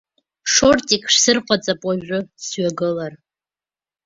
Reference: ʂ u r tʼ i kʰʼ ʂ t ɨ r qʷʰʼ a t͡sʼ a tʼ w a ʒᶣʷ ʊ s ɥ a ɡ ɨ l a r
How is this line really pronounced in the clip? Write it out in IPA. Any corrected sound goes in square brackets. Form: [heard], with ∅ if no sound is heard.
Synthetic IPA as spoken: ʂ [o] r tʼ i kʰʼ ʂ [s] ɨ r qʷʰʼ a t͡sʼ a [pʼ] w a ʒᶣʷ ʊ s ɥ a ɡ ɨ l a r